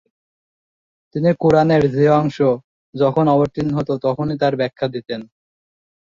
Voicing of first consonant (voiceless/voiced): voiceless